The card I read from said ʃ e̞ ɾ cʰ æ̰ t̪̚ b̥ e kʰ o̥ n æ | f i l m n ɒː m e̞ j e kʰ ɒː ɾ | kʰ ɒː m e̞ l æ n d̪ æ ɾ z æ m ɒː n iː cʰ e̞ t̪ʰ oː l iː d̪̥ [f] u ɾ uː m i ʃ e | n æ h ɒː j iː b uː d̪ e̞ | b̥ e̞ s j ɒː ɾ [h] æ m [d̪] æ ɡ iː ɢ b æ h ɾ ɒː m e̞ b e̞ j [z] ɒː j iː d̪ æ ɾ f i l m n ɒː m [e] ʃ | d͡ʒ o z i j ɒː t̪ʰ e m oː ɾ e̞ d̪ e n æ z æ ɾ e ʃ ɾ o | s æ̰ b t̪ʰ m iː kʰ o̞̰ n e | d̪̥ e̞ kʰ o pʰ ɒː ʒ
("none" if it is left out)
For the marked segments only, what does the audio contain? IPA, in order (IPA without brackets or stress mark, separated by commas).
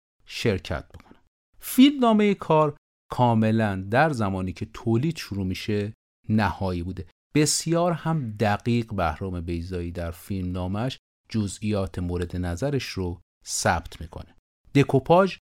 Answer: ʃ, h, d̪, z, æ